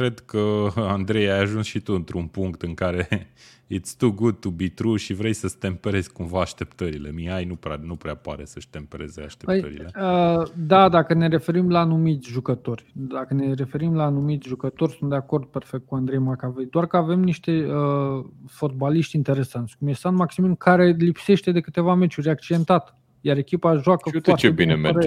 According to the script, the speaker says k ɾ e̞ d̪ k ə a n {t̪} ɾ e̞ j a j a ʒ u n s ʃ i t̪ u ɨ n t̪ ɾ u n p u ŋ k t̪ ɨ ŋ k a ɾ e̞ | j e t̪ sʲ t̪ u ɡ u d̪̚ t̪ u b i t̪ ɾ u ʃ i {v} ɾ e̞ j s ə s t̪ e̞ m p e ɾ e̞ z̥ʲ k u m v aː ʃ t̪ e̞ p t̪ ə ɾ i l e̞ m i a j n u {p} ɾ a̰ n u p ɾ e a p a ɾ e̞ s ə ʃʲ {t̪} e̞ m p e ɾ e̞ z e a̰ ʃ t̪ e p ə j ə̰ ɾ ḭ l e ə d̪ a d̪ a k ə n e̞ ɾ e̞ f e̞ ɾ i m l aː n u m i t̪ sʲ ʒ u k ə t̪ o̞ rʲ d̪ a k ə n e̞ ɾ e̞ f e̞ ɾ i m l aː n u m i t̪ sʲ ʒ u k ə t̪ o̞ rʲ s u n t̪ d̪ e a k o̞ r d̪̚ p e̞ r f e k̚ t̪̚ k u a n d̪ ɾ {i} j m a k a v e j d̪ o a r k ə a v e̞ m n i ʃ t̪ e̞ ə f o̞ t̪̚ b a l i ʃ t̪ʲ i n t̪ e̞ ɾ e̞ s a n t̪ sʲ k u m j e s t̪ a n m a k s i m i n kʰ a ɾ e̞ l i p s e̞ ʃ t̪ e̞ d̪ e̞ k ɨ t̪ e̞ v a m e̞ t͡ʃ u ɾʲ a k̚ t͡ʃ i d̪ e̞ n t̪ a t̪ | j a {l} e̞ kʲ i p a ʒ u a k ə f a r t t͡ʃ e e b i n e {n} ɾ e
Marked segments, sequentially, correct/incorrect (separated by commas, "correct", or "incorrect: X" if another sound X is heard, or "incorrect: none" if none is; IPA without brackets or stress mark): incorrect: d̪, correct, correct, correct, incorrect: e, incorrect: ɾ, incorrect: m